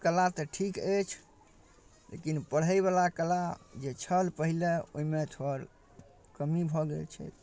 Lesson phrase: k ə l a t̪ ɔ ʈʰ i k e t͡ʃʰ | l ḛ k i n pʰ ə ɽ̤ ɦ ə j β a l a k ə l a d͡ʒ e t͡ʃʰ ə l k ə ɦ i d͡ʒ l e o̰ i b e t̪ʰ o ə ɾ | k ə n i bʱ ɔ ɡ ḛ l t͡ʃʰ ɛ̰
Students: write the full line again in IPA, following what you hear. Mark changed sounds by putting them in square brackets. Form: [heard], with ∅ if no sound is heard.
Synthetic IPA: k ə l a t̪ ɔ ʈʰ i k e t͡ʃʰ | l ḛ k i n [p] ə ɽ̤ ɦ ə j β a l a k ə l a d͡ʒ e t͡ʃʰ ə l [p] ə ɦ i [∅] l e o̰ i [m] e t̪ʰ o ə ɾ | k ə [m] i bʱ ɔ ɡ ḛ l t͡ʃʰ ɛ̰